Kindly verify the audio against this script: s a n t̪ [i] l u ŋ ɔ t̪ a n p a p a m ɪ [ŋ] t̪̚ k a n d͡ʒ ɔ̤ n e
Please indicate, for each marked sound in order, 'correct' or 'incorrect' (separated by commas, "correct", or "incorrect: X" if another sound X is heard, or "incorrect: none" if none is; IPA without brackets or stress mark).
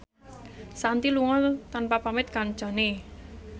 correct, incorrect: none